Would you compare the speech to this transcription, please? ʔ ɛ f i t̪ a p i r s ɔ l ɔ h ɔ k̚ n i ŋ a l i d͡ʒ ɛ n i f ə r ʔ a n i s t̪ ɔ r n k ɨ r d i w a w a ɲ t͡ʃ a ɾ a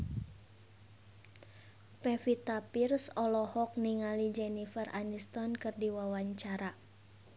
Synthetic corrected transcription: p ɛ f i t̪ a p i r s ɔ l ɔ h ɔ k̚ n i ŋ a l i d͡ʒ ɛ n i f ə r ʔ a n i s t̪ ɔ n k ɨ r d i w a w a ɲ t͡ʃ a ɾ a